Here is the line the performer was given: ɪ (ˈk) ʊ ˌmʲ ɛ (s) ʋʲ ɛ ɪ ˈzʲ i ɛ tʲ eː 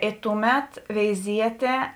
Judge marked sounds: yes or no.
no, no

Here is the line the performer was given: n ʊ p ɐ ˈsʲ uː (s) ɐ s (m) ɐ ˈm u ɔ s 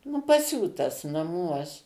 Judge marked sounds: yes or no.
no, no

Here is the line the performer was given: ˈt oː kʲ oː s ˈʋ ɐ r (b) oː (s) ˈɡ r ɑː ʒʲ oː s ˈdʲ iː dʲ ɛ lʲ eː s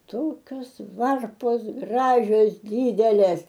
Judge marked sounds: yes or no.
no, yes

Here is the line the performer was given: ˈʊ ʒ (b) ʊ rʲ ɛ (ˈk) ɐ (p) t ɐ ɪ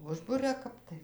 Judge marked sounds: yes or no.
yes, yes, yes

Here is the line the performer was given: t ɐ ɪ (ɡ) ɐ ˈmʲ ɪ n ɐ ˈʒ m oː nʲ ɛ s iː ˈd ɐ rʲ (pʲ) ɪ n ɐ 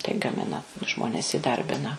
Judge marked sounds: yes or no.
yes, no

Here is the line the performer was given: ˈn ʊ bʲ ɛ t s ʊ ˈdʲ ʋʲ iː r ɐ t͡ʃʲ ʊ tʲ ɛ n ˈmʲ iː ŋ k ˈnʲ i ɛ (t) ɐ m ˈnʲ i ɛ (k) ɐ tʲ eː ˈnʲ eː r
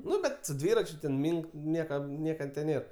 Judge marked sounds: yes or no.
no, yes

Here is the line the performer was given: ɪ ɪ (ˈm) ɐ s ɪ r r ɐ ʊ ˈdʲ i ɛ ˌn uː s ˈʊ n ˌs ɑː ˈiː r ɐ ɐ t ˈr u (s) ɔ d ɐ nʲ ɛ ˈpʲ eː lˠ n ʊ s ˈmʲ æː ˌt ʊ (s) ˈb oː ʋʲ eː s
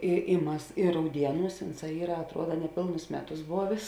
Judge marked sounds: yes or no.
yes, no, yes

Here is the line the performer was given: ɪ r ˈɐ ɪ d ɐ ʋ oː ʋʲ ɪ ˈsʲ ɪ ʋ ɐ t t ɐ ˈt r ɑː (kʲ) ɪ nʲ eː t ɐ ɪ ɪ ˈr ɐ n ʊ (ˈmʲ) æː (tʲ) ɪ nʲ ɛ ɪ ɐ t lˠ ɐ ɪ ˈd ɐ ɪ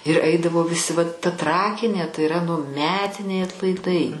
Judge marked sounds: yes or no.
yes, yes, yes

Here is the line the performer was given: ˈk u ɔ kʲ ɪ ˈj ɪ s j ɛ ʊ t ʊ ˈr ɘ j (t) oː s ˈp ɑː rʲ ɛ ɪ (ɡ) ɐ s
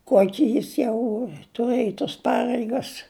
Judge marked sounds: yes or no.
yes, yes

